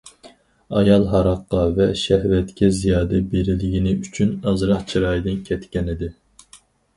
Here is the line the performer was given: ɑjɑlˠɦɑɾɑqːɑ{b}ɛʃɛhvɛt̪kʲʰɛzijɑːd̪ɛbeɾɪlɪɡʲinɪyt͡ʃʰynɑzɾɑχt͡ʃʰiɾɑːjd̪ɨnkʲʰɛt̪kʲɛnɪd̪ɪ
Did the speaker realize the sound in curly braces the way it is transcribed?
no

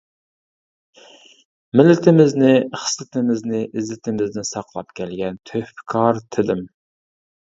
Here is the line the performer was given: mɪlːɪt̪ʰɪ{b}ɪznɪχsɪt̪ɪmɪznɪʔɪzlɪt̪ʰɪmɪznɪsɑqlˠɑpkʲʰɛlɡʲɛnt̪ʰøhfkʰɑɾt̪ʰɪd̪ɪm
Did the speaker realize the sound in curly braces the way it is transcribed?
no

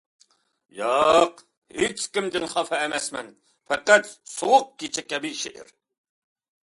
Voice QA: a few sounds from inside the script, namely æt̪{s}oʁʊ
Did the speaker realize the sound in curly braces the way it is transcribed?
yes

